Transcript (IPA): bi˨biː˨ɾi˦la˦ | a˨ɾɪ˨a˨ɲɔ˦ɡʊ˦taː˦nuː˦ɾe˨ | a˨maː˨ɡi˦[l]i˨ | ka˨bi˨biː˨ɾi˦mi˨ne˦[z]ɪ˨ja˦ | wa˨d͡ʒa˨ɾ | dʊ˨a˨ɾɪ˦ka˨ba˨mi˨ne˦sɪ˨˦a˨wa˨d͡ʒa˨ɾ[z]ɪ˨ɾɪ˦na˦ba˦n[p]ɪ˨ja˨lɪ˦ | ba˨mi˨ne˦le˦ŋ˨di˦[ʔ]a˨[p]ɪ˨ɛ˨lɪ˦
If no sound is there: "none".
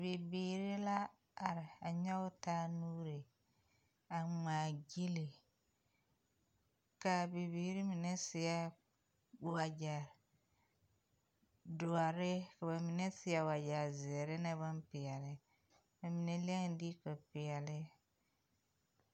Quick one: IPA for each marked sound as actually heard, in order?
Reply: l, s, z, p, k, p

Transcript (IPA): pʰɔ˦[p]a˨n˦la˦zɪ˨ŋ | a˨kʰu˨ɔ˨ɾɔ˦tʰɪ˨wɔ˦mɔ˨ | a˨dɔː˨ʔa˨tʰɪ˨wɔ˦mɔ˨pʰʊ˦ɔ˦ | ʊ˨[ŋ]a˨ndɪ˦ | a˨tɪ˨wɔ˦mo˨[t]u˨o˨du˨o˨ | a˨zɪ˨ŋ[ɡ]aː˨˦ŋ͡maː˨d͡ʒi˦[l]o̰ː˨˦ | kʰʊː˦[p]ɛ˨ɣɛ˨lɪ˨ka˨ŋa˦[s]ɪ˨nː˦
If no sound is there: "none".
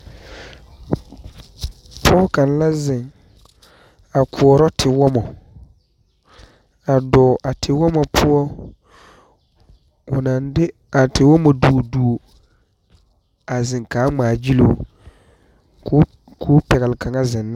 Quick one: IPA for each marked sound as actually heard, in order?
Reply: k, n, d, k, l, p, z

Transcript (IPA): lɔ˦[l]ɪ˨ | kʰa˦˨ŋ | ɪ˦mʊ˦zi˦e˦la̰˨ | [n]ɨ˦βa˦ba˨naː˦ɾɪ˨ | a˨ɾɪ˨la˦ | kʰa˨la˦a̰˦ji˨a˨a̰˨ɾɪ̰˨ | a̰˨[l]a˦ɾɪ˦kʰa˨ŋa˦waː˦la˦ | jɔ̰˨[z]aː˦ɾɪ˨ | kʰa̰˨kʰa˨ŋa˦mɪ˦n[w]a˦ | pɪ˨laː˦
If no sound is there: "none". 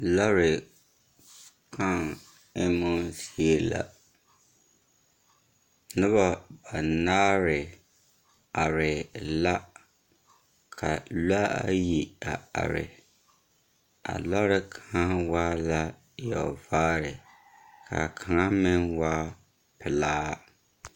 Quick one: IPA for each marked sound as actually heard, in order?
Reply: ɾ, n, l, v, w

